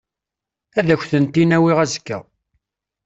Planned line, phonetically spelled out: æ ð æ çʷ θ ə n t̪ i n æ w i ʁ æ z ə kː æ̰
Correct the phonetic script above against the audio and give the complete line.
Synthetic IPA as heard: æ ð æ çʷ θ ə n t̪ i n æ w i ʁ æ z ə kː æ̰